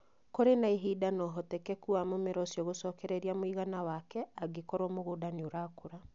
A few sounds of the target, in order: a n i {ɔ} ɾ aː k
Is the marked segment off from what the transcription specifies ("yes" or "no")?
yes